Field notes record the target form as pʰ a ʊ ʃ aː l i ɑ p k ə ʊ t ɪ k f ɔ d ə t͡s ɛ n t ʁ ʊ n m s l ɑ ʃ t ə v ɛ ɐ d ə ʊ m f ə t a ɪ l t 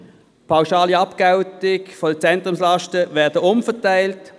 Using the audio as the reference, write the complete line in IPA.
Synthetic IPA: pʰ a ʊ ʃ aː l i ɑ p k a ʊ t ɪ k f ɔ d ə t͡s ɛ n t ʁ ʊ m s l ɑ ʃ t ə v ɛ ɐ d ə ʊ m f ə t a ɪ l t